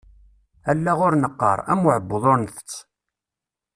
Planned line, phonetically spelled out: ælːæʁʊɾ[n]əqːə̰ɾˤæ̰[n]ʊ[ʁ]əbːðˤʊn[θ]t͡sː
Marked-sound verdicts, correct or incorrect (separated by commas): correct, incorrect, incorrect, correct